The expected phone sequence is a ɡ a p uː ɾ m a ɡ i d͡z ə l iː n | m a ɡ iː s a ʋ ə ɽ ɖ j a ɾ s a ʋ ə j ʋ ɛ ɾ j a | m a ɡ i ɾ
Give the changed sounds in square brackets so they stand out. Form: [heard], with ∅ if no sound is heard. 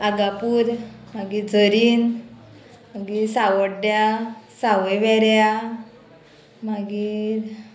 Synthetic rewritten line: a ɡ a p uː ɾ m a ɡ i d͡z ə [ɾ] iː n | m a ɡ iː s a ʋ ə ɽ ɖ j a [∅] s a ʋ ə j ʋ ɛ ɾ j a | m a ɡ i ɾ